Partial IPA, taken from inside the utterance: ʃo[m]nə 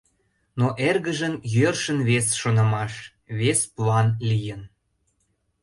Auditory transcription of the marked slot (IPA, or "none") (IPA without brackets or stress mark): none